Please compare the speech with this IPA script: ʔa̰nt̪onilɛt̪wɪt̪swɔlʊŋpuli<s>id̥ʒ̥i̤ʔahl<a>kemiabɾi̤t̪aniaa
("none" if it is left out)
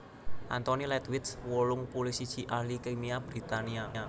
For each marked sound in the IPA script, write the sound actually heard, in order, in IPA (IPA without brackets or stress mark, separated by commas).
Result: s, i